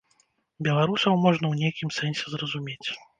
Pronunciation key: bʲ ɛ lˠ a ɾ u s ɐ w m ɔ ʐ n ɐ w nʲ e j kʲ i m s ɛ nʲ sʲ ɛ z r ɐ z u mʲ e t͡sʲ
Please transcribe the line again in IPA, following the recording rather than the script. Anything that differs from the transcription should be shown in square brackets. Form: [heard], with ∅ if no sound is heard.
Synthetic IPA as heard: bʲ ɛ lˠ a ɾ u s ɐ w m ɔ ʐ n ɐ w nʲ e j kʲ i m s ɛ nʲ sʲ ɛ z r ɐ z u mʲ e t͡sʲ

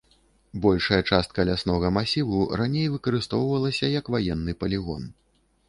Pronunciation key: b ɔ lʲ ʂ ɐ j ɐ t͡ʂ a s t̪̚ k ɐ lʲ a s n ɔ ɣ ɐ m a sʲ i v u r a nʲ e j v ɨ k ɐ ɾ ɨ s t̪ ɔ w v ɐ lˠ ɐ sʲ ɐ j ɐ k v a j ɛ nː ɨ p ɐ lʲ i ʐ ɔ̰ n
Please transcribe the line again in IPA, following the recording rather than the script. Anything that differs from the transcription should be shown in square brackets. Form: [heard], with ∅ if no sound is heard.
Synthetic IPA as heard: b ɔ lʲ ʂ ɐ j ɐ t͡ʂ a s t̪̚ k ɐ lʲ a s n ɔ ɣ ɐ m a sʲ i v u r a nʲ e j v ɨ k ɐ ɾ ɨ s t̪ ɔ w v ɐ lˠ ɐ sʲ ɐ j ɐ k v a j ɛ nː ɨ p ɐ lʲ i [ɣ] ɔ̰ n

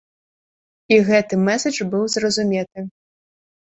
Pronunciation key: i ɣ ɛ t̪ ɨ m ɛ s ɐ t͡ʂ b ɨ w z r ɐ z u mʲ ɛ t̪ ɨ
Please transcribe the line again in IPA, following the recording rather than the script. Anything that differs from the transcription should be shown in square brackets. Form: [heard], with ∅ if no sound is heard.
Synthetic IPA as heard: i ɣ ɛ t̪ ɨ m ɛ s ɐ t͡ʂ b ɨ w z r ɐ z u mʲ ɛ t̪ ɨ

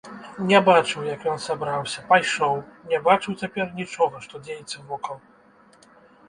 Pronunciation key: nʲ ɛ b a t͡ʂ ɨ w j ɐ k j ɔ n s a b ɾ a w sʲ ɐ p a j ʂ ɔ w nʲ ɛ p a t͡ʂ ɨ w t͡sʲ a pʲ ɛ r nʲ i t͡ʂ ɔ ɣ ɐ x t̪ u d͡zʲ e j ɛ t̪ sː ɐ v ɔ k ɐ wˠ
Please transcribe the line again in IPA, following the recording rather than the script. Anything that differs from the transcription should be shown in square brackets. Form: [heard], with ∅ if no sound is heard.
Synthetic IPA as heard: nʲ ɛ b a t͡ʂ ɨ w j ɐ k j ɔ n s a b ɾ a w sʲ ɐ p a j ʂ ɔ w nʲ ɛ [b] a t͡ʂ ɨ w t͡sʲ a pʲ ɛ r nʲ i t͡ʂ ɔ ɣ ɐ [ʂ] t̪ [ɔ] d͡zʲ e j ɛ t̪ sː ɐ v ɔ k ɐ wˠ

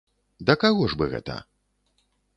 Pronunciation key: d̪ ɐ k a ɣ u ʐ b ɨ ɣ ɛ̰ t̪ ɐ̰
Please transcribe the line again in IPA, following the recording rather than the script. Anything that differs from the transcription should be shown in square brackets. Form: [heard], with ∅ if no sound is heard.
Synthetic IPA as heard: d̪ ɐ k a ɣ [ɔ] ʐ b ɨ ɣ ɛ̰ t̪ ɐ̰

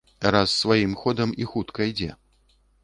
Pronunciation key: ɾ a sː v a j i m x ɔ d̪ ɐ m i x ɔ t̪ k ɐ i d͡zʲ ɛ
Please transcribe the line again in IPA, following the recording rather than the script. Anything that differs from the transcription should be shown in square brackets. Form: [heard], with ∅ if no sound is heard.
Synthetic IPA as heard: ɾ a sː v a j i m x ɔ d̪ ɐ m i x [u] t̪ k ɐ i d͡zʲ ɛ

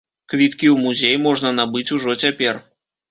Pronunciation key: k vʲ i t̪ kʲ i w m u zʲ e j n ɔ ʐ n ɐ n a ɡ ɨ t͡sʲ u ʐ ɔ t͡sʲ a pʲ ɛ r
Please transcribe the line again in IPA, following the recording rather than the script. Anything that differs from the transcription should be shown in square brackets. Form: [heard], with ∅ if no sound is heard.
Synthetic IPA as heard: k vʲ i t̪ kʲ i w m u zʲ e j [m] ɔ ʐ n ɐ n a [b] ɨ t͡sʲ u ʐ ɔ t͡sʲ a pʲ ɛ r

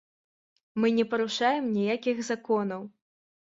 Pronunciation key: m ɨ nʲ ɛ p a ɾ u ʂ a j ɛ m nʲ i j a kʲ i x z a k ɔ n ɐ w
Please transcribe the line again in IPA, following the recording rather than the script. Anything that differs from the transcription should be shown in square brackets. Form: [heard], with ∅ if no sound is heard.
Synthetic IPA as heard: m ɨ nʲ ɛ p [ɐ] ɾ u ʂ a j ɛ m nʲ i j a kʲ i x z a k ɔ n ɐ w

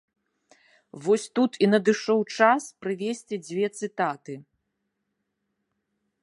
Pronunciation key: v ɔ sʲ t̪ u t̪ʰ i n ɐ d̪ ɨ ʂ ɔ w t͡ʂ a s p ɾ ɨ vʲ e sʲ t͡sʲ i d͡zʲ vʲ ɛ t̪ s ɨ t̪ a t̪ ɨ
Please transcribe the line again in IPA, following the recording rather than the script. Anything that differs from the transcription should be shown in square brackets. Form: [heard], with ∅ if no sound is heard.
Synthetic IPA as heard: v ɔ sʲ t̪ u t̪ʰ i n ɐ d̪ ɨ ʂ ɔ w t͡ʂ a s p ɾ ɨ vʲ e sʲ t͡sʲ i d͡zʲ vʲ ɛ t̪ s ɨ t̪ a t̪ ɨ

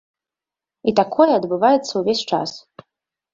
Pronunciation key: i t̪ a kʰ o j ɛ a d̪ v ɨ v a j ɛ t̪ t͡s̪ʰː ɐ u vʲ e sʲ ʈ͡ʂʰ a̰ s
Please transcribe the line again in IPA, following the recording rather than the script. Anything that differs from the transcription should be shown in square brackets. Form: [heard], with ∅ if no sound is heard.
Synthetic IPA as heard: i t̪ a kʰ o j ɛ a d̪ [b] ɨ v a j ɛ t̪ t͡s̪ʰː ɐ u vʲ e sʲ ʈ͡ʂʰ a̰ s

